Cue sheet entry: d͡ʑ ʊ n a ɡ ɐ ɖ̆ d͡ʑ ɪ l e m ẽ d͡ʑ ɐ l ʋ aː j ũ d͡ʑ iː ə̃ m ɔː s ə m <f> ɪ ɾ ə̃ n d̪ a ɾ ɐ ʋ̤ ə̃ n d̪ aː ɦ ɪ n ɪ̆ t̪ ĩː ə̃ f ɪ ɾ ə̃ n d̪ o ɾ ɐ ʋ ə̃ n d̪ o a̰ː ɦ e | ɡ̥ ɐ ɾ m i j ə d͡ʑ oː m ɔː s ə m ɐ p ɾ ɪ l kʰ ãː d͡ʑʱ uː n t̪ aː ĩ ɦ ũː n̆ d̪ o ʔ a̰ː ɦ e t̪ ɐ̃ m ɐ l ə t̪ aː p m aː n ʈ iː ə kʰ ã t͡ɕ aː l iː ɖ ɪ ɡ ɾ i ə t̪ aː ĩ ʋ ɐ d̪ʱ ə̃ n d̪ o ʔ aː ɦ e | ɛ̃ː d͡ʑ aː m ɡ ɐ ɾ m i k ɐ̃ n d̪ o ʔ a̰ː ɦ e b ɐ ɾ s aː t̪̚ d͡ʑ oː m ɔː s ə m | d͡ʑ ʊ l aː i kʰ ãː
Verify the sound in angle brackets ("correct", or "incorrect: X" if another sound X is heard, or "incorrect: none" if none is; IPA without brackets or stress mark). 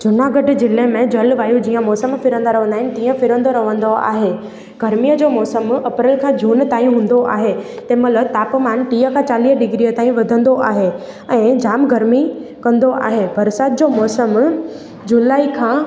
correct